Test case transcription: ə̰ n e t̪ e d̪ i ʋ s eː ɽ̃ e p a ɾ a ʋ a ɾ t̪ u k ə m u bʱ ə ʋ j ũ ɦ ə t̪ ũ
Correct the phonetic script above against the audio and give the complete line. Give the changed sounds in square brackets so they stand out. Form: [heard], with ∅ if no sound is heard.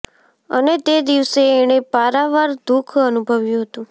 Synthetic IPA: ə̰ n e t̪ e d̪ i ʋ s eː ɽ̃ e p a ɾ a ʋ a ɾ [d̪] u [kʰ] ə [n] u bʱ ə ʋ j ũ ɦ ə t̪ ũ